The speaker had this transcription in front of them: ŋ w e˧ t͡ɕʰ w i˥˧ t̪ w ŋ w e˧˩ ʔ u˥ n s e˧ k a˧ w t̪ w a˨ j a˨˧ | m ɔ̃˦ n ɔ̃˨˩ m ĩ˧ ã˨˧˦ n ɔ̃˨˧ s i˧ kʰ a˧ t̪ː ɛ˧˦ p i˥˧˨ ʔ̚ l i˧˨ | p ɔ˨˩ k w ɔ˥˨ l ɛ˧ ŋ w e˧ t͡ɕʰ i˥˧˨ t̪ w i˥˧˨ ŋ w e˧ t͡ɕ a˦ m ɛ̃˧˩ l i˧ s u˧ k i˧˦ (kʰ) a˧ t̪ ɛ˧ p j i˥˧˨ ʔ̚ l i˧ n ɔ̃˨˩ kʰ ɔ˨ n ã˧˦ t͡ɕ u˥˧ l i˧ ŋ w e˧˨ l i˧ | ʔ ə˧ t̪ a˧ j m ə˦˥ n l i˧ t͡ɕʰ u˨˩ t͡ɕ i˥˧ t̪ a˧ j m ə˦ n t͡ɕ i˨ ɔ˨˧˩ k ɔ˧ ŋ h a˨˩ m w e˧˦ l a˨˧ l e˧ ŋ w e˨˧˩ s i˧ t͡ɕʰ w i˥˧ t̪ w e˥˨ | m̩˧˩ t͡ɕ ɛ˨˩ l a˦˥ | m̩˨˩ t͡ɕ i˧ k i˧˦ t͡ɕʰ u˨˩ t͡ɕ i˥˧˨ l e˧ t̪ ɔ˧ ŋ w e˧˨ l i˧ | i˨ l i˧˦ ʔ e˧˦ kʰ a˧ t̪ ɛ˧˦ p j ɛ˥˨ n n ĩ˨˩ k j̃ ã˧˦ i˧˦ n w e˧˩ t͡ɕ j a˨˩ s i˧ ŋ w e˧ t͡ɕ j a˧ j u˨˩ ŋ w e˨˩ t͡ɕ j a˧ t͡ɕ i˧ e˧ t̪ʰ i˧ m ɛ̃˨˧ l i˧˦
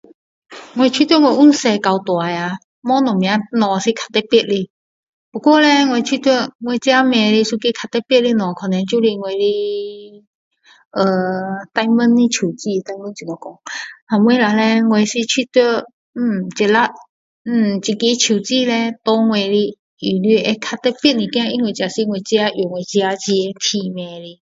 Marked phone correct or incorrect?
correct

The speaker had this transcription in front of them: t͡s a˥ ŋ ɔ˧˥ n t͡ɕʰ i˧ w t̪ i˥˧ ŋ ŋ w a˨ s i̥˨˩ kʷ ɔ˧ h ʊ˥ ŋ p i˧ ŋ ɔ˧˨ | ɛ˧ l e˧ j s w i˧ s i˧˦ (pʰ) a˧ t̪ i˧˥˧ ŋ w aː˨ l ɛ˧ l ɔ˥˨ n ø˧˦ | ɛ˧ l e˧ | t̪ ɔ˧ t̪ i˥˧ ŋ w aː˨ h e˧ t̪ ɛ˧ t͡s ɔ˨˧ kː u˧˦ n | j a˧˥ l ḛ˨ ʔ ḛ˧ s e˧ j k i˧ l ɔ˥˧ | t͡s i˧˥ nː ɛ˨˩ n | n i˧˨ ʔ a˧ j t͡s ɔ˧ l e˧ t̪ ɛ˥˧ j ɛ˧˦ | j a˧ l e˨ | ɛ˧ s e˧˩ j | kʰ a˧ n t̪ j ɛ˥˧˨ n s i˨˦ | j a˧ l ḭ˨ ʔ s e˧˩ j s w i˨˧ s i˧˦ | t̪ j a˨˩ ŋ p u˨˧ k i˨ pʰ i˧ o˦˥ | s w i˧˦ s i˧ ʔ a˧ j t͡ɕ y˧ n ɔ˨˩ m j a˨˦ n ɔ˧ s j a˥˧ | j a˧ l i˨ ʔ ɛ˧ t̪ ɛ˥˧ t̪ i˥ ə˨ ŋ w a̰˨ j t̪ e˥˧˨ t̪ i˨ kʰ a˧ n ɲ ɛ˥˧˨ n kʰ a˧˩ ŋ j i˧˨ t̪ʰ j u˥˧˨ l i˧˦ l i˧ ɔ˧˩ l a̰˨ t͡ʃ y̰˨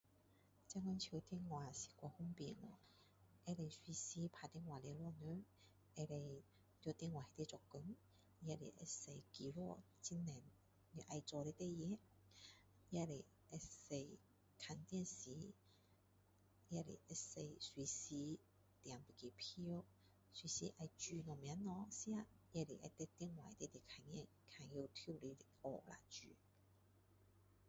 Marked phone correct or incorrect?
correct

